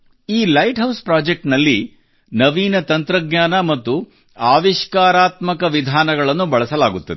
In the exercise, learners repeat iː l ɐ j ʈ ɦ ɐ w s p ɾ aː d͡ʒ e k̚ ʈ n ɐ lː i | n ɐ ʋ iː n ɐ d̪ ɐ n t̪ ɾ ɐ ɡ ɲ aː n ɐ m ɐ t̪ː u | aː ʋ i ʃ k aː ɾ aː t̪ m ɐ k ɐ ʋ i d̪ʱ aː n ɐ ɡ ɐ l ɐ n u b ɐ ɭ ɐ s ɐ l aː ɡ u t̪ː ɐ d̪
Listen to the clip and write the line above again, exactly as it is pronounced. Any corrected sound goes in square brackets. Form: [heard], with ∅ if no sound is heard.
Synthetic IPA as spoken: iː l ɐ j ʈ ɦ ɐ w s p ɾ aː d͡ʒ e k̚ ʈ n ɐ lː i | n ɐ ʋ iː n ɐ [t̪] ɐ n t̪ ɾ ɐ ɡ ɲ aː n ɐ m ɐ t̪ː u | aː ʋ i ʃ k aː ɾ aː t̪ m ɐ k ɐ ʋ i d̪ʱ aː n ɐ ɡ ɐ [ɭ] ɐ [nː] u b ɐ ɭ ɐ s ɐ l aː ɡ u t̪ː ɐ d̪